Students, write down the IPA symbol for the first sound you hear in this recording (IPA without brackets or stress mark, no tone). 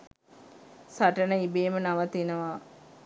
s